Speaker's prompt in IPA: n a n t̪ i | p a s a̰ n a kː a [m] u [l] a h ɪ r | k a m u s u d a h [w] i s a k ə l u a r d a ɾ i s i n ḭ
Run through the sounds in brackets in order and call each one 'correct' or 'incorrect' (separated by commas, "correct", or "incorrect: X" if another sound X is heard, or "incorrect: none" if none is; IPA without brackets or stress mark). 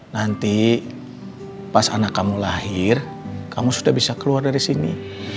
correct, correct, incorrect: b